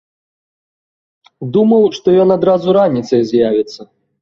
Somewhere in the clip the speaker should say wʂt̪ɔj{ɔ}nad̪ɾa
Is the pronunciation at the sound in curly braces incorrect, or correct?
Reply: correct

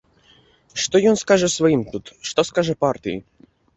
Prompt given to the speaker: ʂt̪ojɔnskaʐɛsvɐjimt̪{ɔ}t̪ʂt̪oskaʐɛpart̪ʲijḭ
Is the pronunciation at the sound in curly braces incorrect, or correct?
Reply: incorrect: u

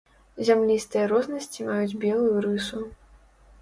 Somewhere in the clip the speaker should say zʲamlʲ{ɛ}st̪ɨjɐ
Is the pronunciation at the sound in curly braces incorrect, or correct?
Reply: incorrect: i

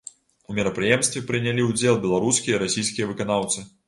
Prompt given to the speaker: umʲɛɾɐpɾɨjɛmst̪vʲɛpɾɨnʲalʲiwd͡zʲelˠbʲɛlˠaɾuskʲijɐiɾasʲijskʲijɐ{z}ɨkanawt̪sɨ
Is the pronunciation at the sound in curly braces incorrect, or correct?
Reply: incorrect: v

